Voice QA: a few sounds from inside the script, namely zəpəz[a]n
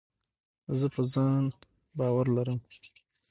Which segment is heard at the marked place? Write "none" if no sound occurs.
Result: ɑ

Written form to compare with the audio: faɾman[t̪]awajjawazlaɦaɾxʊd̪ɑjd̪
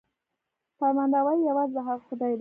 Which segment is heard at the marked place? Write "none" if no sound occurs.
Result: d̪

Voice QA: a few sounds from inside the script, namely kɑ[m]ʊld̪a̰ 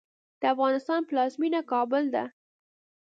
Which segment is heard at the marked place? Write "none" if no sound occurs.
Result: b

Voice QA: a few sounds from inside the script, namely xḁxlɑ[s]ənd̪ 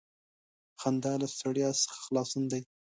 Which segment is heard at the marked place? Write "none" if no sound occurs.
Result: s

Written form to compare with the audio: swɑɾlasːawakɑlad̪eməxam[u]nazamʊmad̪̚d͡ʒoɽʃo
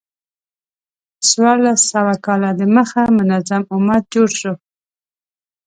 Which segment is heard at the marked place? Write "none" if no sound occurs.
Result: ʊ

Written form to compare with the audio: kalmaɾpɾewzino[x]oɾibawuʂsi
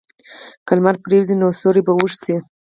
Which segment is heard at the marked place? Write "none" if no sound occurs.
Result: s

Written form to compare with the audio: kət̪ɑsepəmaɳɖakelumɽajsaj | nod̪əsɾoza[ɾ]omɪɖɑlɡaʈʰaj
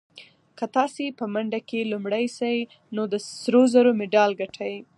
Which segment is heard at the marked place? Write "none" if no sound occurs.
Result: ɾ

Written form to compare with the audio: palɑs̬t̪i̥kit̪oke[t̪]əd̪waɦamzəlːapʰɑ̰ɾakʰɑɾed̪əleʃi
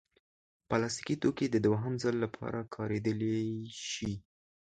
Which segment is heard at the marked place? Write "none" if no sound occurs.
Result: d̪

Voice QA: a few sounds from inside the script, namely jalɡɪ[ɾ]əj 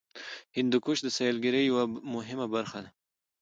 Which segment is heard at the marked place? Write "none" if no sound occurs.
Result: ɾ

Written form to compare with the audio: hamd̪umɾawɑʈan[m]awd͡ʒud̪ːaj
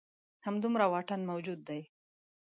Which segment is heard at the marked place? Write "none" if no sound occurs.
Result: m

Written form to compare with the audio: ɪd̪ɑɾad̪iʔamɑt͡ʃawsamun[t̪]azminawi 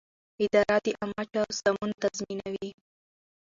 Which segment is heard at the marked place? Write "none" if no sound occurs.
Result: t̪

